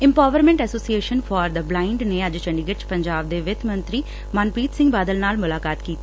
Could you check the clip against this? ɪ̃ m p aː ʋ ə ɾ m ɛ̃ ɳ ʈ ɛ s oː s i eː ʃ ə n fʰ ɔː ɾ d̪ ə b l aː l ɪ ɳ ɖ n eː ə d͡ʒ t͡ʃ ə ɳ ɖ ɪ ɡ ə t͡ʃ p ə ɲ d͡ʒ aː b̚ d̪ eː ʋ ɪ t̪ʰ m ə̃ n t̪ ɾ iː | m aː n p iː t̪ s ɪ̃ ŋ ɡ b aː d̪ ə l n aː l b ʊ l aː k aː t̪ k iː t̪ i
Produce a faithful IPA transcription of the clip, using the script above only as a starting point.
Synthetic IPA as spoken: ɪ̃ m p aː ʋ ə ɾ m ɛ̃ ɳ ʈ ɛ s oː s i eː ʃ ə n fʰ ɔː ɾ d̪ ə b l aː ɪ ɳ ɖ n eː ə d͡ʒ t͡ʃ ə ɳ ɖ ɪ ɡ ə t͡ʃ p ə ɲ d͡ʒ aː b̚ d̪ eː ʋ ɪ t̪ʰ m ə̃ n t̪ ɾ iː | m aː n p iː t̪ s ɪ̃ ŋ ɡ b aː d̪ ə l n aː l m ʊ l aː k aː t̪ k iː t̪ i

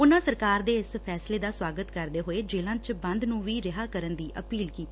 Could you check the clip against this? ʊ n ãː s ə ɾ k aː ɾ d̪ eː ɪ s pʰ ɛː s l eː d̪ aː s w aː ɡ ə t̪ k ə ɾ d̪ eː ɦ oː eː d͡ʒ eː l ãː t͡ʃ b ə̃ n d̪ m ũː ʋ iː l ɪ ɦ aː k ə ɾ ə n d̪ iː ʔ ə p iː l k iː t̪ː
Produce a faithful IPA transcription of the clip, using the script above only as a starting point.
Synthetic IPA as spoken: ʊ n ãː s ə ɾ k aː ɾ d̪ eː ɪ s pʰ ɛː s l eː d̪ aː s w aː ɡ ə t̪ k ə ɾ d̪ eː ɦ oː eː d͡ʒ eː l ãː t͡ʃ b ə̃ n d̪ n ũː ʋ iː ɾ ɪ ɦ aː k ə ɾ ə n d̪ iː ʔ ə p iː l k iː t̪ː

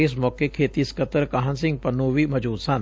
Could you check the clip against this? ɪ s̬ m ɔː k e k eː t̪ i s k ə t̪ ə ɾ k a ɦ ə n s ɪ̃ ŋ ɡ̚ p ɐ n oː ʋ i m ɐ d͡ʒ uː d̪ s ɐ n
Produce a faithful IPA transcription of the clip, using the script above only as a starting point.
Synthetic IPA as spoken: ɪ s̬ m ɔː k e kʰ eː t̪ i s k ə t̪ ə ɾ k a ɦ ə n s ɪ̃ ŋ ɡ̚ p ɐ n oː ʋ i m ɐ d͡ʒ uː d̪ s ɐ n

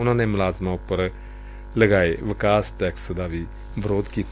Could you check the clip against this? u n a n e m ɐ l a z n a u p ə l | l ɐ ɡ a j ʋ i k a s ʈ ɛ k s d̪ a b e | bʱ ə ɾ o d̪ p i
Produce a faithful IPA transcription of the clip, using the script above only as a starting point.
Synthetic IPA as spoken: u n a n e m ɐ l a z m a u p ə ɾ | l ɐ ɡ a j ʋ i k a s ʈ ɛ k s d̪ a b i | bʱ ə ɾ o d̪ k i

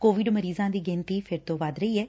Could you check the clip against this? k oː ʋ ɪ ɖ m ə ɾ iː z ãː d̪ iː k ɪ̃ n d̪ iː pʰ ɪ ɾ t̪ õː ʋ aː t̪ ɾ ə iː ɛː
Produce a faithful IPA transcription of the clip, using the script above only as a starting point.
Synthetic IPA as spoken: k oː ʋ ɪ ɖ m ə ɾ iː z ãː d̪ iː ɡ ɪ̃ n t̪ iː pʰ ɪ ɾ t̪ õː ʋ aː d̪ ɾ ə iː ɛː

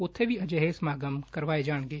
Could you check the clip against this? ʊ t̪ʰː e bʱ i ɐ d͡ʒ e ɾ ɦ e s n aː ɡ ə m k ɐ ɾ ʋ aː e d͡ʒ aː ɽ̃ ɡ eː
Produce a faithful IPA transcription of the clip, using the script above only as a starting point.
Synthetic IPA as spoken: ʊ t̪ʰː e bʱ i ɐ d͡ʒ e ɦ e s m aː ɡ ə m k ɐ ɾ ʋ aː e d͡ʒ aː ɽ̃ ɡ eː

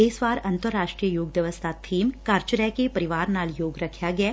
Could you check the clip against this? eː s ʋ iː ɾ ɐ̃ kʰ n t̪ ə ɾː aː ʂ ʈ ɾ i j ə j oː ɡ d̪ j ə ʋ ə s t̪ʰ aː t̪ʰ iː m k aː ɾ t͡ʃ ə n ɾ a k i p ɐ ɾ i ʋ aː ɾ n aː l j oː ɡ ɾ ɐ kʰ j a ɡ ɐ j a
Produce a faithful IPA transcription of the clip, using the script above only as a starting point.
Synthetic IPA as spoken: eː s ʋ aː ɾ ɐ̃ n t̪ ə ɾː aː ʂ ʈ ɾ i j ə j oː ɡ d̪ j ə ʋ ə s t̪ʰ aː t̪ʰ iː m k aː ɾ t͡ʃ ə ɾ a k e p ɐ ɾ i ʋ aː ɾ n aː l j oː ɡ ɾ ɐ kʰ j a ɡ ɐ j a

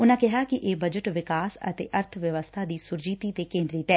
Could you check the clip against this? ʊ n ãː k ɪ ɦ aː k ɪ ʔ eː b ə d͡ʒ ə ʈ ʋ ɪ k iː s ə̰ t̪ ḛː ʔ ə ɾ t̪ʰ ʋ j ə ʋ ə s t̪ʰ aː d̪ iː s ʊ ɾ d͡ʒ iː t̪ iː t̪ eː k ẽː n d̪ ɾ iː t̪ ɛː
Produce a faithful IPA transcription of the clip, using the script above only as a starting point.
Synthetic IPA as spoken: ʊ n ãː k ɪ ɦ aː k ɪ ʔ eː b ə d͡ʒ ə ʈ ʋ ɪ k aː s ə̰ t̪ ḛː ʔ ə ɾ t̪ʰ ʋ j ə ʋ ə s t̪ʰ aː d̪ iː s ʊ ɾ d͡ʒ iː t̪ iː t̪ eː k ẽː n d̪ ɾ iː t̪ ɛː

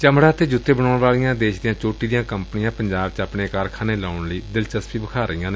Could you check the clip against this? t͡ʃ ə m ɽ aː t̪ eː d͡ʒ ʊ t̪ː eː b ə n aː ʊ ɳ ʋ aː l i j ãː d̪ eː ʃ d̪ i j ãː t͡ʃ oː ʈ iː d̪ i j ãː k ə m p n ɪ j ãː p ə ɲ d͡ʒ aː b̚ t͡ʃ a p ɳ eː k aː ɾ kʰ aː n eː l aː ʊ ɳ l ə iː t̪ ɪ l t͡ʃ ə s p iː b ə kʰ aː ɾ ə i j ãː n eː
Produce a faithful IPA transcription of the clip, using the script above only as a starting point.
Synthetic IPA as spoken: t͡ʃ ə m ɽ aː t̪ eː d͡ʒ ʊ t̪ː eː b ə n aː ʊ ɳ ʋ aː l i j ãː d̪ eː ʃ d̪ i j ãː t͡ʃ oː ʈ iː d̪ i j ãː k ə m p n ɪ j ãː p ə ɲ d͡ʒ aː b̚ t͡ʃ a p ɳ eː k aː ɾ kʰ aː n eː l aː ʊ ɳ l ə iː d̪ ɪ l t͡ʃ ə s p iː b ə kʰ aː ɾ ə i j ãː n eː

